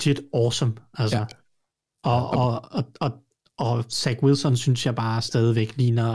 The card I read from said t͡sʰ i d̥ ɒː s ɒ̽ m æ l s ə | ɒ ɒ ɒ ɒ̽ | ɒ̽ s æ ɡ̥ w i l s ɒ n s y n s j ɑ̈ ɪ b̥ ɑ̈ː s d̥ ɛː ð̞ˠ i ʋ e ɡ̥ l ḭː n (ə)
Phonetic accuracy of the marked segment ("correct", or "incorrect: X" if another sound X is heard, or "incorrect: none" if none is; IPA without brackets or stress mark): incorrect: ɐ